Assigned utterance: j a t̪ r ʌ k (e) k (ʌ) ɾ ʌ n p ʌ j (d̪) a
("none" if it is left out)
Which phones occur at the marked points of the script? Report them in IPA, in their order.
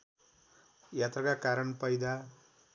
a, a, d̪

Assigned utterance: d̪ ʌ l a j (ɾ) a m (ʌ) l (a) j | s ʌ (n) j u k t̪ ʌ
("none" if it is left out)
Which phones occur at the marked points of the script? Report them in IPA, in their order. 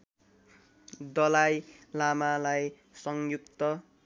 l, a, a, ŋ

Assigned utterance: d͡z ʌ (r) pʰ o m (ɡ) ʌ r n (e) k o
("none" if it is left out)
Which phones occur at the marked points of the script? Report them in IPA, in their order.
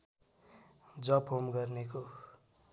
none, ɡ, e

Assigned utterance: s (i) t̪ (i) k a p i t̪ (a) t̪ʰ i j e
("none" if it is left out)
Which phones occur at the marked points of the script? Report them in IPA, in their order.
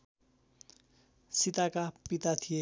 i, a, a

